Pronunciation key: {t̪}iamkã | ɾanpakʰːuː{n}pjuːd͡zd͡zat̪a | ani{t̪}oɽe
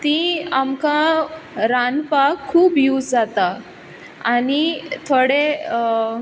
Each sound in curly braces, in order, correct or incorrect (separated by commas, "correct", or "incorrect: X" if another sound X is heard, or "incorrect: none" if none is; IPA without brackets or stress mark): correct, incorrect: none, incorrect: t̪ʰ